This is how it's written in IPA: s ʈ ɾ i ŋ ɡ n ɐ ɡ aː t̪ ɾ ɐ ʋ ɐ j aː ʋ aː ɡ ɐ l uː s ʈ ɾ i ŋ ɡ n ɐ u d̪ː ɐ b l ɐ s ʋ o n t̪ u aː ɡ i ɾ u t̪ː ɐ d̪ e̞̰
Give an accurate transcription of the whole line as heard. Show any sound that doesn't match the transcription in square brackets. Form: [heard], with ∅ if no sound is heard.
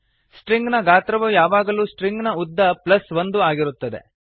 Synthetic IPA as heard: s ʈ ɾ i ŋ ɡ n ɐ ɡ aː t̪ ɾ ɐ ʋ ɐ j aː ʋ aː ɡ ɐ l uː s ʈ ɾ i ŋ ɡ n ɐ u d̪ː ɐ [p] l ɐ s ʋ o n [d̪] u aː ɡ i ɾ u t̪ː ɐ d̪ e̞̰